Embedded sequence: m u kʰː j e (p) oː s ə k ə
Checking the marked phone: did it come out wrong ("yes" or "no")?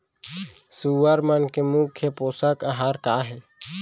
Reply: no